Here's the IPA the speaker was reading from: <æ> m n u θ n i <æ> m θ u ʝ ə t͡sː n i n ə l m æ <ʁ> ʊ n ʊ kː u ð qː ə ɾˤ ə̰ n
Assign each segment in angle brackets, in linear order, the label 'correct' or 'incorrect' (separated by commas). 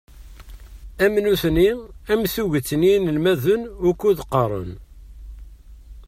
correct, correct, incorrect